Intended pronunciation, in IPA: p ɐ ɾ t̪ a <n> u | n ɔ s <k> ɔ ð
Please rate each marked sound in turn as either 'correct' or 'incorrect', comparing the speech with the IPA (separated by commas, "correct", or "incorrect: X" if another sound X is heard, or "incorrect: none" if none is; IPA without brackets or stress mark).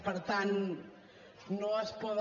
correct, incorrect: p